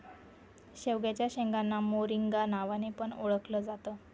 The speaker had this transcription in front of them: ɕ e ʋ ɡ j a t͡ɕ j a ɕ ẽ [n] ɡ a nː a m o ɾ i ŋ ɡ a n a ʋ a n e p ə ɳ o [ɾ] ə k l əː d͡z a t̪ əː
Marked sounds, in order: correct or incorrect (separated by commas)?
incorrect, incorrect